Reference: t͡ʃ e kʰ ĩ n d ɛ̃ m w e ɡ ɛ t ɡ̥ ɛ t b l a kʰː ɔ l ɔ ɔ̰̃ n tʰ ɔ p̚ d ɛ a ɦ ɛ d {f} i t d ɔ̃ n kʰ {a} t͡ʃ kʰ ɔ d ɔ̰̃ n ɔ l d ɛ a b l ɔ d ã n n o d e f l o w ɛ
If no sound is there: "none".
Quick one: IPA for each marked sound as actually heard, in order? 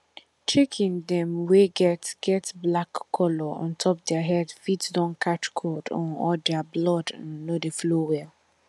f, a

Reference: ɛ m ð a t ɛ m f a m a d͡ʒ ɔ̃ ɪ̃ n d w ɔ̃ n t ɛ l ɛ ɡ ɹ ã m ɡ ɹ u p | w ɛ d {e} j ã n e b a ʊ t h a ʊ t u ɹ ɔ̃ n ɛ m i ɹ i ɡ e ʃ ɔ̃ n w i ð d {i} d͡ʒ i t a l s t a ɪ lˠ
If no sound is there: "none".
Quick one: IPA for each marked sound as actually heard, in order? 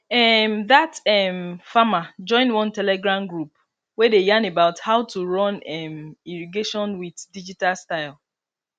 e, i

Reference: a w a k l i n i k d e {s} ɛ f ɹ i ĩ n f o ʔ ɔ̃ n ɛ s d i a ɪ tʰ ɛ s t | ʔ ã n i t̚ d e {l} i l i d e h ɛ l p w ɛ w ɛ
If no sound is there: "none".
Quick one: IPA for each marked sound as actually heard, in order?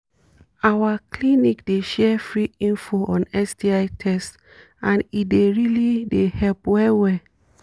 ʃ, ɹ

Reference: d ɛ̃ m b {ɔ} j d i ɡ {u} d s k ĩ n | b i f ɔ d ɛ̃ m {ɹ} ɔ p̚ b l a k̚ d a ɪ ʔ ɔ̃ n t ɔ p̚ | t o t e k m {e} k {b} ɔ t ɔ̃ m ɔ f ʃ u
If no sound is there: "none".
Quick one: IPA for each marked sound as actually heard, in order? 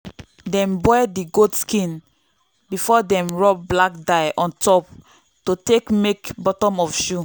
ɔ, o, ɹ, e, b

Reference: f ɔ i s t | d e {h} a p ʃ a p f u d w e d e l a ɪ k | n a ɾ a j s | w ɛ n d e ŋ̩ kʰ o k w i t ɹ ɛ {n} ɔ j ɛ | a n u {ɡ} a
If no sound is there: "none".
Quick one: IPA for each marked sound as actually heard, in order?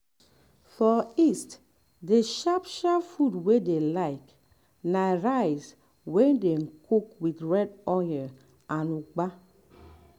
ʃ, d, ɡ͡b

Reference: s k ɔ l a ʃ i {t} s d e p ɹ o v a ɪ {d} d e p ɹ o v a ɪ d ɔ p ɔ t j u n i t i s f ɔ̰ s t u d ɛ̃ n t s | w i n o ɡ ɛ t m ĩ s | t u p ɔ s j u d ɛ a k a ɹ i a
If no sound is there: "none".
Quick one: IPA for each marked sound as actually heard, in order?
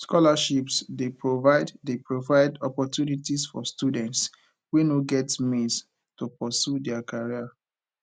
p, d

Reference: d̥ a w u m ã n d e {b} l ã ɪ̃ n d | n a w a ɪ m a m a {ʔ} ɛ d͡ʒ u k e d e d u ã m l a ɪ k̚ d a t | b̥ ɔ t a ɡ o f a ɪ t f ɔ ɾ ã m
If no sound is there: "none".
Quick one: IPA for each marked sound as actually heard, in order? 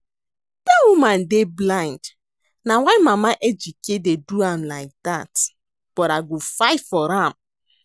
b, ʔ

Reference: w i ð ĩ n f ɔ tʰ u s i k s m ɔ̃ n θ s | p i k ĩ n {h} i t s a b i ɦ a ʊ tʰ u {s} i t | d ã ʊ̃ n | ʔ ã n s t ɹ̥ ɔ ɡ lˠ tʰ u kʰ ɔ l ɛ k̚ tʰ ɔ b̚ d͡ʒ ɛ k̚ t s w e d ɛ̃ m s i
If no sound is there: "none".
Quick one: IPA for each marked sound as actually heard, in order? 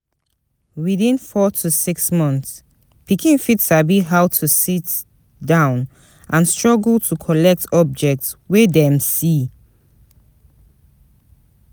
f, s

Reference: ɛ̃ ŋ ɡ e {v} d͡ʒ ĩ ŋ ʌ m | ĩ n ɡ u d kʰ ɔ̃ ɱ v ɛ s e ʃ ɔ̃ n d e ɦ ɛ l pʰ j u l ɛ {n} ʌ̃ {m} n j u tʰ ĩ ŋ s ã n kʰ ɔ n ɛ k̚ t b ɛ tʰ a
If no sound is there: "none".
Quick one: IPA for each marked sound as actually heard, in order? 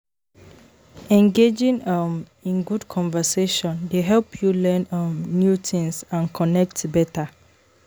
none, n, m

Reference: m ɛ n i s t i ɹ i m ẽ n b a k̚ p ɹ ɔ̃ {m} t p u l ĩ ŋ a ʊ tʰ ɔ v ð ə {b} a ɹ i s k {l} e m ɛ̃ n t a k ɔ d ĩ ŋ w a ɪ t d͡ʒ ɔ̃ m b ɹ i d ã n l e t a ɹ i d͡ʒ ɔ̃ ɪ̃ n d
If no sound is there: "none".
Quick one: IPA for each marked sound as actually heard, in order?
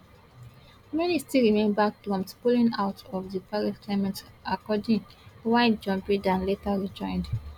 m, p, l

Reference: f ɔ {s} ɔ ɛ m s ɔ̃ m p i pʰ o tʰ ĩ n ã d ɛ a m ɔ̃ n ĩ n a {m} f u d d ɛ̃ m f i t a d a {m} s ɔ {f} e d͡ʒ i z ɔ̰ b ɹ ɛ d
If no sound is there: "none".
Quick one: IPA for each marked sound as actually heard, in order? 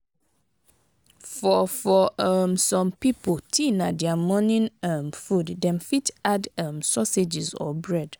f, m, m, s

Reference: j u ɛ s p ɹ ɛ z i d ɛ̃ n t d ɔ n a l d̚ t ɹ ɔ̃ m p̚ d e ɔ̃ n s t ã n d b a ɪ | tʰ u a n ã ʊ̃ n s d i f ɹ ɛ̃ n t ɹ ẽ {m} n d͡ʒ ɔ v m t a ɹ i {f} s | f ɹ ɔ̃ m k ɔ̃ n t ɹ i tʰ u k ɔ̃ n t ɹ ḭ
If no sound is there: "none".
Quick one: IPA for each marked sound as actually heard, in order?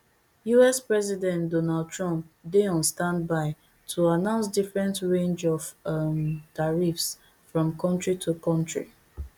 none, f

